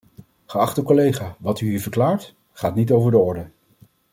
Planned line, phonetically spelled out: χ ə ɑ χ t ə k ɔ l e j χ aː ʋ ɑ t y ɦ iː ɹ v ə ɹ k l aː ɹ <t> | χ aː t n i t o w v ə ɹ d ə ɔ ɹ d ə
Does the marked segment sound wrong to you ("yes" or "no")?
no